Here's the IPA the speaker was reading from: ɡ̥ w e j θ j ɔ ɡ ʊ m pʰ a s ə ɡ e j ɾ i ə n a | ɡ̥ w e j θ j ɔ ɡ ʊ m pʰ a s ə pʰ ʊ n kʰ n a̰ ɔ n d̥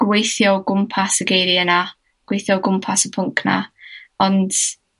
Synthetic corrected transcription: ɡ̥ w e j θ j ɔ ɡ ʊ m pʰ a s ə ɡ e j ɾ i ə n a | ɡ̥ w e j θ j ɔ ɡ ʊ m pʰ a s ə pʰ ʊ ŋ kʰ n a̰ ɔ n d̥